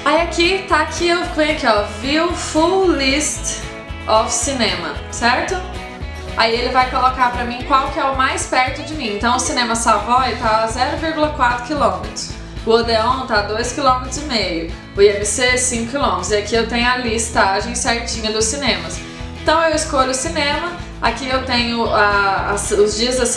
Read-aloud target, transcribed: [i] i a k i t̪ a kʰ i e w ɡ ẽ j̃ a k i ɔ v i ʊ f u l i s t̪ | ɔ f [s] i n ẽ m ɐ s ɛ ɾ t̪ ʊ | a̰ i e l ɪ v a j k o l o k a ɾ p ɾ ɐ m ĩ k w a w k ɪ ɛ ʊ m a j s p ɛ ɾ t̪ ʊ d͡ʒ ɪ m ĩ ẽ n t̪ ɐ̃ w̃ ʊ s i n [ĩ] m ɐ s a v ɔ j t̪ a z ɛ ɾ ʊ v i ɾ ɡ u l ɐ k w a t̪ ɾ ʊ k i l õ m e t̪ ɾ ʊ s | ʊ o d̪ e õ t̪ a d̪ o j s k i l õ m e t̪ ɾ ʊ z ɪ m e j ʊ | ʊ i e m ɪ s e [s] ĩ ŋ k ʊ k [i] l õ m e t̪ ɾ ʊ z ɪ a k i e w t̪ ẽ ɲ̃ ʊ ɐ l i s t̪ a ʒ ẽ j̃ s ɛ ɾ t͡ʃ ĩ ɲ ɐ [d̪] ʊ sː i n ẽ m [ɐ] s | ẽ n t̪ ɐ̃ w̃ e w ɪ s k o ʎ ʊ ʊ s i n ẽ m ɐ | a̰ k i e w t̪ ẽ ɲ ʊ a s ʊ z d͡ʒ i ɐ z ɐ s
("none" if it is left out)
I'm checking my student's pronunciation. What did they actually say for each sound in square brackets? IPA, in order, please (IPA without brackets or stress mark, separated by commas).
a, s, ẽ, s, i, d̪, ɐ